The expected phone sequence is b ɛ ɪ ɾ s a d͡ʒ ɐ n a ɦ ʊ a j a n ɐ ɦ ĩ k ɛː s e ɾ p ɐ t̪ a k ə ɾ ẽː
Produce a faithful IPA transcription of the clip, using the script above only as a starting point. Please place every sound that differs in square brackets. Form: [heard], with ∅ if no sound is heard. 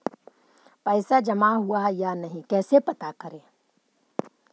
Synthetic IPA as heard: [p] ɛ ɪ [∅] s a d͡ʒ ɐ [m] a ɦ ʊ a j a n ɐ ɦ ĩ k ɛː s e [∅] p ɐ t̪ a k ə ɾ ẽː